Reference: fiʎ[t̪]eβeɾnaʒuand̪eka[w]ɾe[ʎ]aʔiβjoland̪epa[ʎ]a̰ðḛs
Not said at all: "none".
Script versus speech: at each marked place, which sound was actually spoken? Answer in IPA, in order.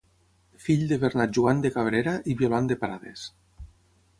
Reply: d̪, β, ɾ, ɾ

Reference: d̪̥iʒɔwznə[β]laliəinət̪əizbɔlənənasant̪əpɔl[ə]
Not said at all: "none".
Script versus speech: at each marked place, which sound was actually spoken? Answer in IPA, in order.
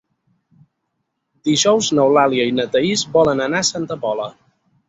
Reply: w, ə

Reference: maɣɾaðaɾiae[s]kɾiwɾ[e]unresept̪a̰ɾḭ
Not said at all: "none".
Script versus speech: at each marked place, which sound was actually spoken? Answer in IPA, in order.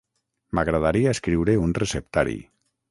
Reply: s, e

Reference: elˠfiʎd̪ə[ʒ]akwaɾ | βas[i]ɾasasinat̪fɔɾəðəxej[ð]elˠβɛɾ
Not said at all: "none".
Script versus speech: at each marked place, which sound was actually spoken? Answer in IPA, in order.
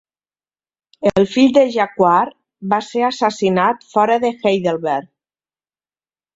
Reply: ʒ, e, ð

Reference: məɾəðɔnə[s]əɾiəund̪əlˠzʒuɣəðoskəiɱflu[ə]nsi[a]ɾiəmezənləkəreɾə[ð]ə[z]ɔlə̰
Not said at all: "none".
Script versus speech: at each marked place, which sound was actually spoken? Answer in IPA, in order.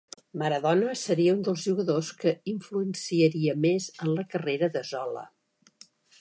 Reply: s, ə, ə, ð, z

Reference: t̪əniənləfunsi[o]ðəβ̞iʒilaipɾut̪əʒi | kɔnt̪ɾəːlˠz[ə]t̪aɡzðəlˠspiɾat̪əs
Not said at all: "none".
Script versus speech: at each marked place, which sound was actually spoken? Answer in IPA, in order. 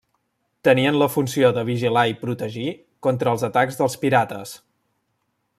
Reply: o, ə

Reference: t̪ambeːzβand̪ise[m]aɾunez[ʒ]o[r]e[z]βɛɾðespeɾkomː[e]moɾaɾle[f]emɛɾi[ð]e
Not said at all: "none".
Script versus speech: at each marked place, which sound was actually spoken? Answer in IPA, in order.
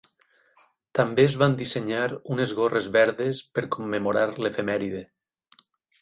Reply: ɲ, ɣ, r, z, e, f, ð

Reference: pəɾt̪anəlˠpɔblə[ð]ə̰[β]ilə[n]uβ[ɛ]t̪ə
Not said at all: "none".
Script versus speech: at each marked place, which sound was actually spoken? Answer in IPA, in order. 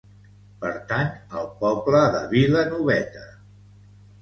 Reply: ð, β, n, ɛ

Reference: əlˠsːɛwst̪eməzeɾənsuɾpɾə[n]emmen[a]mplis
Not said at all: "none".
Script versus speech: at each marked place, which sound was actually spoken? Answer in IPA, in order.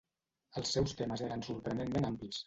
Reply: n, a

